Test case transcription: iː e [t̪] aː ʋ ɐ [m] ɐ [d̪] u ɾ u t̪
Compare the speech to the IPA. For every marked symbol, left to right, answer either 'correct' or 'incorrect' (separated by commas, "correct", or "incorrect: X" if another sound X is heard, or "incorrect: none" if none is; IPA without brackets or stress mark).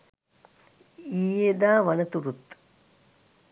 incorrect: d̪, incorrect: n, incorrect: t̪